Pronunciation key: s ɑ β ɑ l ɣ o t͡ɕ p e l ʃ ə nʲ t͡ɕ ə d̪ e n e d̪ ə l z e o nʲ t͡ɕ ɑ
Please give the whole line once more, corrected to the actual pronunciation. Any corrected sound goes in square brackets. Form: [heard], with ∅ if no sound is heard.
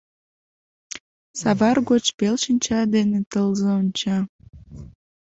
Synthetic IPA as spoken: s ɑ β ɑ [r] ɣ o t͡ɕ p e l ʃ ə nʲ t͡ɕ [ɑ] d̪ e n e [t̪] ə l z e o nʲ t͡ɕ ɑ